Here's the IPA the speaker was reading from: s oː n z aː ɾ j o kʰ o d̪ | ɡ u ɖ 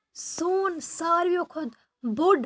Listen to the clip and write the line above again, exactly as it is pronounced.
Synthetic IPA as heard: s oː n s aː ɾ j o kʰ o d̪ | b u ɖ